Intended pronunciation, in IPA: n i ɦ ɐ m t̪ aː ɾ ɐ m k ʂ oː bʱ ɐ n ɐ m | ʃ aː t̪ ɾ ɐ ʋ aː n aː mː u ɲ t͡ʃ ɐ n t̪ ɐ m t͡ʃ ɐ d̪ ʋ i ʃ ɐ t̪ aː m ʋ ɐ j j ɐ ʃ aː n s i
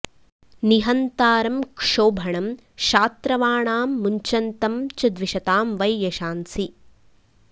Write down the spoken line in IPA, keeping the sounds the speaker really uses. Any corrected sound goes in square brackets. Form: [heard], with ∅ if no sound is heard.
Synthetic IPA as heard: n i ɦ ɐ [n] t̪ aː ɾ ɐ m k ʂ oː bʱ ɐ [ɳ] ɐ m | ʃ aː t̪ ɾ ɐ ʋ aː [ɳ] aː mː u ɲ t͡ʃ ɐ n t̪ ɐ m t͡ʃ ɐ d̪ ʋ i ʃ ɐ t̪ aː m ʋ ɐ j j ɐ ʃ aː n s i